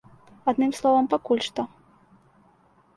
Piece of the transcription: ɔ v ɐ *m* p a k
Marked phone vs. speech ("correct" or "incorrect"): correct